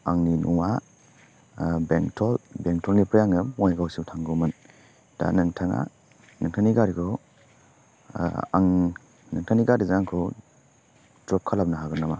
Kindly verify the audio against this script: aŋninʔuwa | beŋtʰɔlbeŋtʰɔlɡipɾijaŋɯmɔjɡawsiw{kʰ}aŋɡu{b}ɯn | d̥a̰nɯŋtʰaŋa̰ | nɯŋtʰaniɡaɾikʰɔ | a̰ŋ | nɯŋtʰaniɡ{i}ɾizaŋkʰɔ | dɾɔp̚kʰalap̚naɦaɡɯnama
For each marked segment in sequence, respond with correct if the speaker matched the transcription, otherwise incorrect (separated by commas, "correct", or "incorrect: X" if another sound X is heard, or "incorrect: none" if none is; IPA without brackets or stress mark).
incorrect: tʰ, incorrect: m, incorrect: a